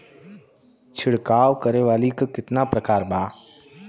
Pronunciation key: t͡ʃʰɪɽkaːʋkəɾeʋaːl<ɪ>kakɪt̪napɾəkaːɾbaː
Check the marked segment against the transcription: incorrect: i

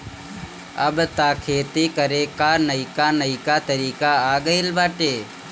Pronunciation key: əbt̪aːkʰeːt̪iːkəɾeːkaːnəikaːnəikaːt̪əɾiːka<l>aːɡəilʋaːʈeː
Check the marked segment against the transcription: incorrect: none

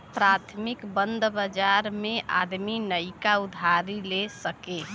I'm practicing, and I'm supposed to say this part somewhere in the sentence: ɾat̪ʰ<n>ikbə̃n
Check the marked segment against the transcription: incorrect: m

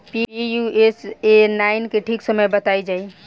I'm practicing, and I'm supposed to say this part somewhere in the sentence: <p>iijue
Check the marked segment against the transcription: correct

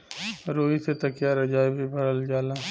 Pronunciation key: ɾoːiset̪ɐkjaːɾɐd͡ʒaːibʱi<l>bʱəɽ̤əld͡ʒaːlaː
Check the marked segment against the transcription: incorrect: none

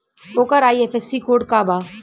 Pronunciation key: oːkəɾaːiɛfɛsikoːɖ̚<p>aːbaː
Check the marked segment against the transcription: incorrect: k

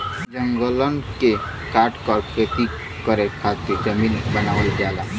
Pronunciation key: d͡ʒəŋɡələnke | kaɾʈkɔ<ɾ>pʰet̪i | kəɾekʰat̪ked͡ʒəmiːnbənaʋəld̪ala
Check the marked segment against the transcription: correct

